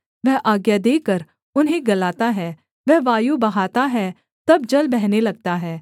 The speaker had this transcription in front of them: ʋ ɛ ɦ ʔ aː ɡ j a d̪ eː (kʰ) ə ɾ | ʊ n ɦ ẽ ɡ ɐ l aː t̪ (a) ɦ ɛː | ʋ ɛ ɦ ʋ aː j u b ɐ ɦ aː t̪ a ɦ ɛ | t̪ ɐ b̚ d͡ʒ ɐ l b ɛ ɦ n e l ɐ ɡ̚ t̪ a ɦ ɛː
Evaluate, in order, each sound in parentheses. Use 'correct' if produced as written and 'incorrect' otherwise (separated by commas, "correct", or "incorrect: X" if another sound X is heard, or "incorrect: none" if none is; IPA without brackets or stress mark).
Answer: incorrect: k, correct